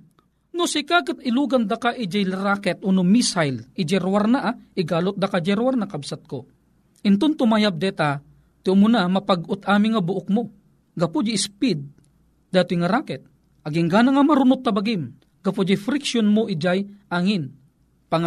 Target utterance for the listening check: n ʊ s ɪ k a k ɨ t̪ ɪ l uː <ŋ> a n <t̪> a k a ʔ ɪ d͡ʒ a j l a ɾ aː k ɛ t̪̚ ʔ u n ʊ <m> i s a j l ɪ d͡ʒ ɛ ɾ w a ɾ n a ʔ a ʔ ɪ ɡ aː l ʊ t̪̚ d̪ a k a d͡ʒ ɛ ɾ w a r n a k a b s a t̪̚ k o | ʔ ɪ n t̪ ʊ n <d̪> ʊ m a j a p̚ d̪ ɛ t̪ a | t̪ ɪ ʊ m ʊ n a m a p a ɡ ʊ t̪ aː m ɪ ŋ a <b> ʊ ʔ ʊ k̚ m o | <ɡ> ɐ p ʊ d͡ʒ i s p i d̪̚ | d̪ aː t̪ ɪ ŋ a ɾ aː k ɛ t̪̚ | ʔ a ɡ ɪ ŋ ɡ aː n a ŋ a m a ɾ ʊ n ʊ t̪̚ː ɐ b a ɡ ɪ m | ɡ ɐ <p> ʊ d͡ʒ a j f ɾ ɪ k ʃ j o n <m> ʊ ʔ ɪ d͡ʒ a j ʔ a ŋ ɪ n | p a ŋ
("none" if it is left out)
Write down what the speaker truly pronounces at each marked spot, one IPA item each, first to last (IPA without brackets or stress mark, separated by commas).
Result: ɡ, d̪, m, t̪, b, ɡ, p, m